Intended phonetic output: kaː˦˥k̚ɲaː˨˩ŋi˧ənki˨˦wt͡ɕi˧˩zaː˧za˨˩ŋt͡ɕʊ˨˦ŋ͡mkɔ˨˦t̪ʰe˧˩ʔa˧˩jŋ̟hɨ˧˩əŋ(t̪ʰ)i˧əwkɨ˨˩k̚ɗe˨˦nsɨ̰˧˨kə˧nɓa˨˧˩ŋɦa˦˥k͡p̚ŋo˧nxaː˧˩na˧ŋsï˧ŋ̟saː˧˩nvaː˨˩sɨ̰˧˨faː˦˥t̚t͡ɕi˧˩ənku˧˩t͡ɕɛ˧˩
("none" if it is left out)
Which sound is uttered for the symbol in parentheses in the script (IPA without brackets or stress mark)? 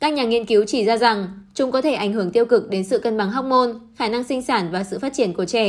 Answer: t̪